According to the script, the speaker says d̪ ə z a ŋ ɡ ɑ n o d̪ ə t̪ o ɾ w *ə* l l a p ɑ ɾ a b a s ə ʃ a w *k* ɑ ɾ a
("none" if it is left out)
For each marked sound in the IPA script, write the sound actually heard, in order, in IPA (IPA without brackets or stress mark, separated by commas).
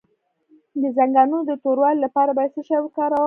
ɑ, k